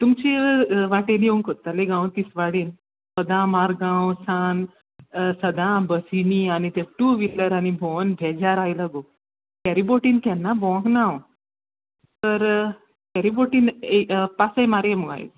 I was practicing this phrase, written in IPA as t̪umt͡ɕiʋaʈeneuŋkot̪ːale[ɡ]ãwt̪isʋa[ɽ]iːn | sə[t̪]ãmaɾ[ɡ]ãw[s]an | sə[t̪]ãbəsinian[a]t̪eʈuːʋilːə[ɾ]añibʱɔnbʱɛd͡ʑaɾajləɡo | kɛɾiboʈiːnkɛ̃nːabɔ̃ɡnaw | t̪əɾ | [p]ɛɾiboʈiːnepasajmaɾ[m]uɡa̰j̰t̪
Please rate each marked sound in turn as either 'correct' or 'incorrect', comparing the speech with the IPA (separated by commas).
correct, correct, incorrect, correct, correct, incorrect, incorrect, correct, incorrect, correct